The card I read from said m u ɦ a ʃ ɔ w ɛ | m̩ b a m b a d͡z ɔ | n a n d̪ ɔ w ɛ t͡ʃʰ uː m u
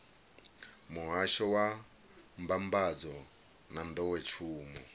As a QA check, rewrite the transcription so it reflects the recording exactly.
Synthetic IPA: m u ɦ a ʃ ɔ w a | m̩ b a m b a d͡z ɔ | n a n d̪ ɔ w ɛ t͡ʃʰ uː m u